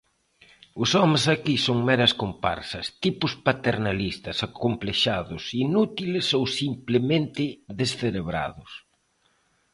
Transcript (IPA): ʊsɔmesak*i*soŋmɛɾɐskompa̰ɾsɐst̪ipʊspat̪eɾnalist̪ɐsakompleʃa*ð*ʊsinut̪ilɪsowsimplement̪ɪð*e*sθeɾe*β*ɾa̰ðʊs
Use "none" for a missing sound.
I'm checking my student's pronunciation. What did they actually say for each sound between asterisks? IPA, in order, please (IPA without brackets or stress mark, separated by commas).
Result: i, ð, e, β